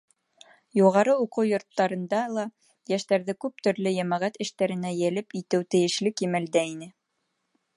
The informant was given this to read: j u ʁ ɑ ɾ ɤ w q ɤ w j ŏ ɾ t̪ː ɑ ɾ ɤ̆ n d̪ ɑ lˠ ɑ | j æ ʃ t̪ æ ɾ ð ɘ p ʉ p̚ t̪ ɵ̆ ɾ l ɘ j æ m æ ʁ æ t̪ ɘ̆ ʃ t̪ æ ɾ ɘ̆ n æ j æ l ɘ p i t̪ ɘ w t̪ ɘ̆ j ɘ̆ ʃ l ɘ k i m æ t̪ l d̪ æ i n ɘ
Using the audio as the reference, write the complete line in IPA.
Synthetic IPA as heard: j u ʁ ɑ ɾ ɤ u q ɤ w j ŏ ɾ t̪ː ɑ ɾ ɤ̆ n d̪ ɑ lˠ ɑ | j æ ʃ t̪ æ ɾ ð ɘ k ʉ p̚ t̪ ɵ̆ ɾ l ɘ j æ m æ ʁ æ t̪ ɘ̆ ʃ t̪ æ ɾ ɘ̆ n æ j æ l ɘ p i t̪ ɘ w t̪ ɘ̆ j ɘ̆ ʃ l ɘ k i m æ l d̪ æ i n ɘ